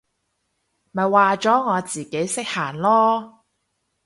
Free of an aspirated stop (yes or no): yes